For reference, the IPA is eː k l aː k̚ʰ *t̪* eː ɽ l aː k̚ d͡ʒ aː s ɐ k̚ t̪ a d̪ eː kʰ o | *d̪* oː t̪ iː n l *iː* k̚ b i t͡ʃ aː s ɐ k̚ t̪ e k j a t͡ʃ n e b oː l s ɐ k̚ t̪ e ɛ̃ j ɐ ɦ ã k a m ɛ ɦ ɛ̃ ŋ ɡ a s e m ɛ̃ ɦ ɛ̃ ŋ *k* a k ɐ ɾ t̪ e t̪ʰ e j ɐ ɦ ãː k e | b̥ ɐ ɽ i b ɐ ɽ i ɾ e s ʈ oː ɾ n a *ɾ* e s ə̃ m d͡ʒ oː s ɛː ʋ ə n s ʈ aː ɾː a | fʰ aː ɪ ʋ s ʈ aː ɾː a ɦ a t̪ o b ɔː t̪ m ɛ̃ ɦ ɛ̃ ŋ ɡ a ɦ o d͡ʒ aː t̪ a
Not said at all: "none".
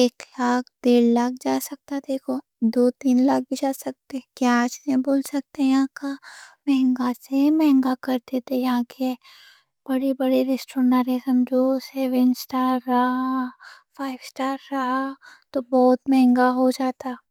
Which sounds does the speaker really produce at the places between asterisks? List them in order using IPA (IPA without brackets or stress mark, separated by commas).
d̪, d̪, aː, ɡ, ɾ